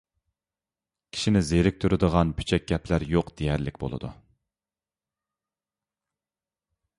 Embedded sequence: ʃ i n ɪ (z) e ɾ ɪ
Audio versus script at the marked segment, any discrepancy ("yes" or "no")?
no